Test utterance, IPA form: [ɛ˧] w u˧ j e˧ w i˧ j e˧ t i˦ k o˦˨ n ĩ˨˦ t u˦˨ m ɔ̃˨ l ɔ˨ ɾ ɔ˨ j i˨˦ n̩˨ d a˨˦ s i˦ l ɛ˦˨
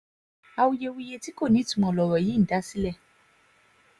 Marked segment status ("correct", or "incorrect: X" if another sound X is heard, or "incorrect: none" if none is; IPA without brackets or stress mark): incorrect: a˧